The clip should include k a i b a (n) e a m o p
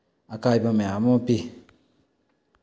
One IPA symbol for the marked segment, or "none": m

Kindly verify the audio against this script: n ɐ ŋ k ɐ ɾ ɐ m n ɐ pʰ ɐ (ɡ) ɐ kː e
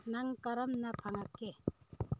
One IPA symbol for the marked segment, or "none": ŋ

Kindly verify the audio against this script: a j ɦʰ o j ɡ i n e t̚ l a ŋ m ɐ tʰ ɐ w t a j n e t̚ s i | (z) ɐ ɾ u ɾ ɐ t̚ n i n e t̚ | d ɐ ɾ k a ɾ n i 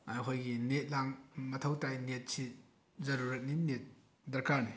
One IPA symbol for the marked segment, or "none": z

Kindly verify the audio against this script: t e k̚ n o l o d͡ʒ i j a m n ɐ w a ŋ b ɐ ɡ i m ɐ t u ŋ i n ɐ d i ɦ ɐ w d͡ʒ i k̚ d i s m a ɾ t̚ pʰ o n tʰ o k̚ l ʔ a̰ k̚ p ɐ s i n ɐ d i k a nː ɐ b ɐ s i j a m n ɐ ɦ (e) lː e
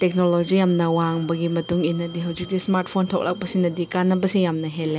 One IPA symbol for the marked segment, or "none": e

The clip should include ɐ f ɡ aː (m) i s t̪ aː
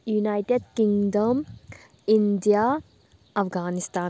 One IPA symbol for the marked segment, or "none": n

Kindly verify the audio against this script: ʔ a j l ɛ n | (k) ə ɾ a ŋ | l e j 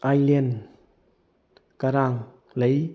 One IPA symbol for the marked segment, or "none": k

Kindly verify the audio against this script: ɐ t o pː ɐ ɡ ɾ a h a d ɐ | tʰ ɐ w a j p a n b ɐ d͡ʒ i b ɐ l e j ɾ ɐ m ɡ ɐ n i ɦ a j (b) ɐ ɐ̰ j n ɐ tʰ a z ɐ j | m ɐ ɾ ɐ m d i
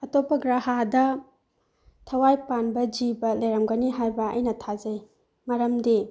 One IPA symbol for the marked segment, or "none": b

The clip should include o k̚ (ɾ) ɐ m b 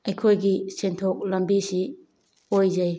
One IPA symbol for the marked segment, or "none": l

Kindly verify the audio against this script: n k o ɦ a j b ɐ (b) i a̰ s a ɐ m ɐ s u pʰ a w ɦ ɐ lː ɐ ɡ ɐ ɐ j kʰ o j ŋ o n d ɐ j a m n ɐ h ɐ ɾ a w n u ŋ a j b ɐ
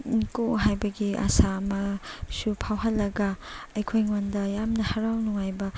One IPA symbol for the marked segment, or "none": ɡ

